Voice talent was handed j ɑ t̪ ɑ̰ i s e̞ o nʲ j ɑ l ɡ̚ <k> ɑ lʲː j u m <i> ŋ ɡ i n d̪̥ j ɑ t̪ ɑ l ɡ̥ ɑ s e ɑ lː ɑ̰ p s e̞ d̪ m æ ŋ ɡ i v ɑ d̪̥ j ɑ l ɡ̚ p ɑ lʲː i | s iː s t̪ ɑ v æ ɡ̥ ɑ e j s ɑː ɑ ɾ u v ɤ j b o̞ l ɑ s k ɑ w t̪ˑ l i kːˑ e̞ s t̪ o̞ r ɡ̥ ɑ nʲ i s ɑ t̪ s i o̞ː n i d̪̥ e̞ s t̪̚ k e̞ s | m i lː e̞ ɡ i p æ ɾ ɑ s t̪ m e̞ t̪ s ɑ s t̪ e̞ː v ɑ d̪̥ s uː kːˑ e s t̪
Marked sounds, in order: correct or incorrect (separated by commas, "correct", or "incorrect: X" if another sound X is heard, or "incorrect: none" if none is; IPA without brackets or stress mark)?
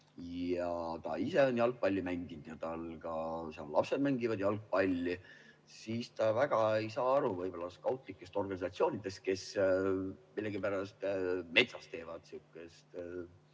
incorrect: p, incorrect: æ